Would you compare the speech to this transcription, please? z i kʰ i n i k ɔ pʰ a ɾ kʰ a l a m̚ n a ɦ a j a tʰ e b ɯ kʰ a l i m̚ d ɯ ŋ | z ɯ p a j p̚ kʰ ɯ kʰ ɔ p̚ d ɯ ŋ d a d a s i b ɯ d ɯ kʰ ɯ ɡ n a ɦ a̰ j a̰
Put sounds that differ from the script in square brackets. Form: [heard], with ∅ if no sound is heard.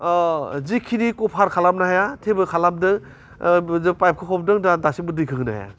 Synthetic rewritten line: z i kʰ i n i k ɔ pʰ a ɾ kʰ a l a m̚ n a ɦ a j a tʰ e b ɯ kʰ a l [a] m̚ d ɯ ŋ | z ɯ p a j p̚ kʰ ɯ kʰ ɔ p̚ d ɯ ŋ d a d a s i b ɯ d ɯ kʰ ɯ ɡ n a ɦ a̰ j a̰